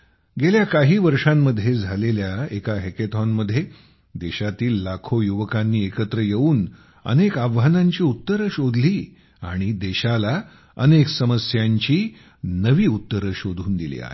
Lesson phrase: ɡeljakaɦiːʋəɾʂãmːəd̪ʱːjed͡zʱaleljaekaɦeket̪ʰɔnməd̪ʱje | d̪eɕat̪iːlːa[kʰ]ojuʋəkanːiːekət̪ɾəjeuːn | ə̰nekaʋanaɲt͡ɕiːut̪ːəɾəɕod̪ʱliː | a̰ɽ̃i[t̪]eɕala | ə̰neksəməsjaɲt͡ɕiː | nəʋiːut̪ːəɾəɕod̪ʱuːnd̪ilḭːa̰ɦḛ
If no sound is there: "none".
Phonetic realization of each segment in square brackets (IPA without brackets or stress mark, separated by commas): kʰ, d̪